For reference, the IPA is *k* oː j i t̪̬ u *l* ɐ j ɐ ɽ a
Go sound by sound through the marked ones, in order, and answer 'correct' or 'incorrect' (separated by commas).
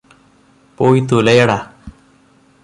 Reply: incorrect, correct